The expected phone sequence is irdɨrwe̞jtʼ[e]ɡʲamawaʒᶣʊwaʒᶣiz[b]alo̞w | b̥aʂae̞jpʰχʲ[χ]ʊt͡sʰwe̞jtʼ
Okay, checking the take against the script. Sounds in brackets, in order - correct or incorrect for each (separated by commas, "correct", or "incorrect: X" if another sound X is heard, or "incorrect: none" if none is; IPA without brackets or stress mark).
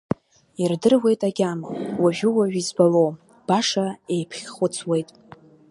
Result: incorrect: a, correct, correct